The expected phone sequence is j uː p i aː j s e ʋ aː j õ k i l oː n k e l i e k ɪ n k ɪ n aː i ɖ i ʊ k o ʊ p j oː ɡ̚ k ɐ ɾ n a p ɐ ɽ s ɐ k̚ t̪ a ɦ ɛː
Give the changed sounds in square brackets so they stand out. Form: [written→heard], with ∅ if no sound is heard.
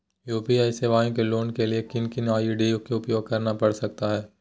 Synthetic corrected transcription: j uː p i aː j s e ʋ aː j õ k [i→e] l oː n k e l i e k ɪ n k ɪ n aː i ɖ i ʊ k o ʊ p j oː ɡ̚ k ɐ ɾ n a p ɐ ɽ s ɐ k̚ t̪ a ɦ ɛː

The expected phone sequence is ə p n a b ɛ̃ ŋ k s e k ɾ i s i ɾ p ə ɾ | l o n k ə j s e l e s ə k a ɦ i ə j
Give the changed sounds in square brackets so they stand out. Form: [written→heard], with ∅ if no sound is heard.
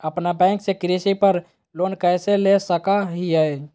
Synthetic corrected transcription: ə p n a b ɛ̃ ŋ k s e k ɾ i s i [ɾ→∅] p ə ɾ | l o n k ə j s e l e s ə k a ɦ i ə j

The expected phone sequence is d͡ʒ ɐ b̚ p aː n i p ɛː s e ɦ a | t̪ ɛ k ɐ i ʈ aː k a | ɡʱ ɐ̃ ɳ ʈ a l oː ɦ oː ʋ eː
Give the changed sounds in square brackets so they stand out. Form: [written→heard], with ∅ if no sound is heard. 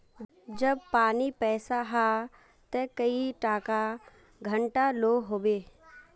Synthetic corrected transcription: d͡ʒ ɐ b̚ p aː n i p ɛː s [e→a] ɦ a | t̪ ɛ k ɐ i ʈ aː k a | ɡʱ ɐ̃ ɳ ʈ a l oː ɦ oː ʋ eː

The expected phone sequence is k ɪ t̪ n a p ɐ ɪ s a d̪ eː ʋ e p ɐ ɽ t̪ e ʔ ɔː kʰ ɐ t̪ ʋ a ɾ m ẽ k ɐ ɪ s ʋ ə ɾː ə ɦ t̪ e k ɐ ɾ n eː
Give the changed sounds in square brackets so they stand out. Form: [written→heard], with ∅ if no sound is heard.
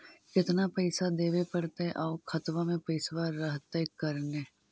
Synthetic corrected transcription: k ɪ t̪ n a p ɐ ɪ s a d̪ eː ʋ e p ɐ ɽ t̪ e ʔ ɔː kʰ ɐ t̪ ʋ a [ɾ→∅] m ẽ [k→p] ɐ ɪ s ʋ [ə→a] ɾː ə ɦ t̪ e k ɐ ɾ n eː

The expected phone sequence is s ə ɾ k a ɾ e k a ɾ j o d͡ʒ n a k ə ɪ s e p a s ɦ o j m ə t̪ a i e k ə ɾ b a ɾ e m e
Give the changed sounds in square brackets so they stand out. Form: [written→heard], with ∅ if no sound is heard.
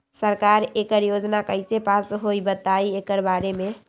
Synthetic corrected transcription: s ə ɾ k a ɾ e k [a→ə] ɾ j o d͡ʒ n a k ə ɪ s e p a s ɦ o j [m→b] ə t̪ a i e k ə ɾ b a ɾ e m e

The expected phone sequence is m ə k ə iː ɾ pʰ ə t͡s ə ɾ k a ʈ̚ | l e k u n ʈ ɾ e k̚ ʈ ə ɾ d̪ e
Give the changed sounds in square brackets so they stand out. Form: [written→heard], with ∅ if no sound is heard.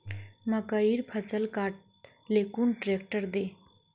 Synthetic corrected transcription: m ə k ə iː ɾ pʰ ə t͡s ə [ɾ→l] k a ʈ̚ | l e k [u→uː] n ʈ ɾ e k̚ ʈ ə ɾ d̪ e

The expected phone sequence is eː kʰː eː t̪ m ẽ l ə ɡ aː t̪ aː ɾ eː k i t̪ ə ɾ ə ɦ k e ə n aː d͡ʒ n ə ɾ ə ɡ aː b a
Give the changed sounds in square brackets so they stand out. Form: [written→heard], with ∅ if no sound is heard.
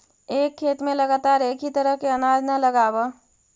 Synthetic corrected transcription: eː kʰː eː t̪ m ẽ l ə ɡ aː t̪ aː ɾ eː k i t̪ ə ɾ ə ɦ k e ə n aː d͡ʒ n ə [ɾ→l] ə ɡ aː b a

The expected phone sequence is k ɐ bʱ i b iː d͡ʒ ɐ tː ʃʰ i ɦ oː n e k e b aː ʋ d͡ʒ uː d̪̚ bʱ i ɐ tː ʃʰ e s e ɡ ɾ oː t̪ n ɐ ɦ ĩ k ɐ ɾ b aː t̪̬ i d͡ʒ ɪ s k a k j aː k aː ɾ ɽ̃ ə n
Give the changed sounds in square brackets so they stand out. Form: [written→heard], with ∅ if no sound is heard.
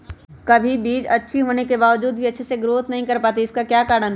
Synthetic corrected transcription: k ɐ bʱ i b iː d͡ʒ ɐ tː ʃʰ i ɦ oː n e k e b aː ʋ d͡ʒ uː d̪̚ bʱ i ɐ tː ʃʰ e s e ɡ ɾ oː t̪ n ɐ ɦ ĩ k ɐ ɾ [b→p] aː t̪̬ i [d͡ʒ→∅] ɪ s k a k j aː k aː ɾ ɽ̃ ə n

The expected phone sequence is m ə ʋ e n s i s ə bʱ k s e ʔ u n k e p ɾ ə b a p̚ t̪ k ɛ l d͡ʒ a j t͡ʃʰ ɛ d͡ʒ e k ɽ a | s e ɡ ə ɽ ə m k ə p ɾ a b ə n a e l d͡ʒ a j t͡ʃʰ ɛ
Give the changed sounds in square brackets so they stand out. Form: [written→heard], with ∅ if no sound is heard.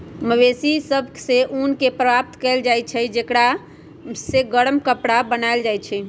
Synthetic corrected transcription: m ə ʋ e [n→∅] s i s ə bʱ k s e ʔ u n k e p ɾ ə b a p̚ t̪ k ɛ l d͡ʒ a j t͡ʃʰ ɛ d͡ʒ e k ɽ a | s e ɡ ə ɽ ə m k ə p [ɾ→ɽ] a b ə n a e l d͡ʒ a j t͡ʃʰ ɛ

